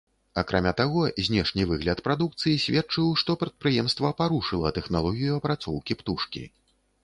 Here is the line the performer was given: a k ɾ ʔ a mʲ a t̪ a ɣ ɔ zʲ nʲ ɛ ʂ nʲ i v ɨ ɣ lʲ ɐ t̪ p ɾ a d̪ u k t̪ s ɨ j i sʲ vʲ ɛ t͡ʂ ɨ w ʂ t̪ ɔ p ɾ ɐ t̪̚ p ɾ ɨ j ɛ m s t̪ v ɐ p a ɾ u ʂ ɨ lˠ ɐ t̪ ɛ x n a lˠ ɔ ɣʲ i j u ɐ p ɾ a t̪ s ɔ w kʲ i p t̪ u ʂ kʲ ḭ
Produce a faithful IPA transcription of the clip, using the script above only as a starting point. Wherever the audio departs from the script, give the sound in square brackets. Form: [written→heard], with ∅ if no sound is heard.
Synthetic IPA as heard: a k ɾ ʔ a mʲ a t̪ a ɣ ɔ zʲ nʲ ɛ ʂ nʲ i v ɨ ɣ lʲ ɐ t̪ p ɾ a d̪ u k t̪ s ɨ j i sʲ vʲ ɛ t͡ʂ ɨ w ʂ t̪ ɔ p ɾ ɐ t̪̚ p ɾ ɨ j ɛ m s t̪ v ɐ p a ɾ u ʂ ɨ lˠ ɐ t̪ ɛ x n a lˠ ɔ ɣʲ i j u ɐ p ɾ a t̪ s ɔ w kʲ i p t̪ u ʂ kʲ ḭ